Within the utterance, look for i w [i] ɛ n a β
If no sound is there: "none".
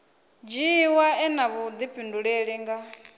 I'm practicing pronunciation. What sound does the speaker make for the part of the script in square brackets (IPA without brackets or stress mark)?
a